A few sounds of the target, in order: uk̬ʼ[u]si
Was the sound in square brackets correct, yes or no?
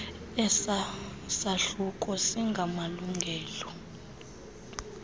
no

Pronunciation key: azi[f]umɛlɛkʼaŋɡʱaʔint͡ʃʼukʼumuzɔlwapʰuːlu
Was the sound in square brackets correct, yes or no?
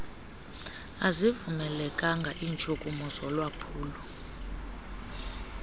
no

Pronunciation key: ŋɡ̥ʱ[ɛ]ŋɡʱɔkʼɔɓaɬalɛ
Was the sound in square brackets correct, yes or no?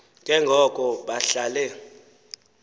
yes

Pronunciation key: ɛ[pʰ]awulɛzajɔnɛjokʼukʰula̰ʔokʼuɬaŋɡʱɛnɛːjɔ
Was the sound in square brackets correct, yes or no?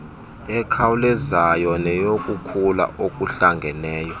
no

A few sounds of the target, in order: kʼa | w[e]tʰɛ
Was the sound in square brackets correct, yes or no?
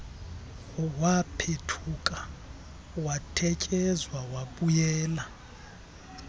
no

